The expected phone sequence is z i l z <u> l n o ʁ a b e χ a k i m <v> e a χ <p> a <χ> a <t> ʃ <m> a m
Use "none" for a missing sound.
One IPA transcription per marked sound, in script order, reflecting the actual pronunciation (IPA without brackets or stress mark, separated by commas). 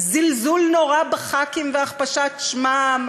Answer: u, v, p, ʃ, t, m